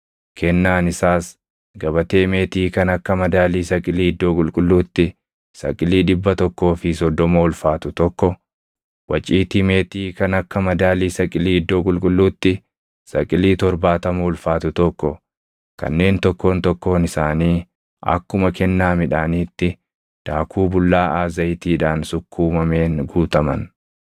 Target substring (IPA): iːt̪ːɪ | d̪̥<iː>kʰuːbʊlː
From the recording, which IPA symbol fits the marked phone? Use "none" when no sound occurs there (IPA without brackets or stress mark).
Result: aː